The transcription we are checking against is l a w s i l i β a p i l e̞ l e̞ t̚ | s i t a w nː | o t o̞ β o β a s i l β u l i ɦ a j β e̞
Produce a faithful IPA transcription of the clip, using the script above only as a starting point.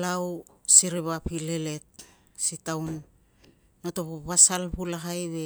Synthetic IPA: l a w s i ɾ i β a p i l e̞ l e̞ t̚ | s i t a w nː | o t o̞ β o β a s a l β u l a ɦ a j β e̞